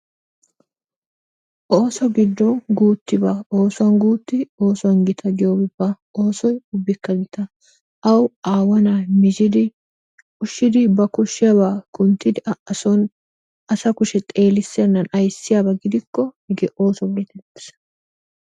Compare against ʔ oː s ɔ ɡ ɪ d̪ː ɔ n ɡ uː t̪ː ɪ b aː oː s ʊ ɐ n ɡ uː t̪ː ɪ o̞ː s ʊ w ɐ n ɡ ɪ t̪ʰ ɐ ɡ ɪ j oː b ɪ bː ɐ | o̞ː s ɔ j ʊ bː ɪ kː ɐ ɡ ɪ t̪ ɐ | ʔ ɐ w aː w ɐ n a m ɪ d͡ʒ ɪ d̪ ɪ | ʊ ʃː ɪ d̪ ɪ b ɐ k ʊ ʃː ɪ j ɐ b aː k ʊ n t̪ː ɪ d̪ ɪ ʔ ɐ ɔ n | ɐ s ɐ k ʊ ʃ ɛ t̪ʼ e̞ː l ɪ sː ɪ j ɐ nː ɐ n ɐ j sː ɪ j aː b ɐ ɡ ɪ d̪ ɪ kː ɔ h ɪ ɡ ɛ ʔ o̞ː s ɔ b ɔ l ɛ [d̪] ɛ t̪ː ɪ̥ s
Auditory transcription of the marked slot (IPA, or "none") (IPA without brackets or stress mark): t̪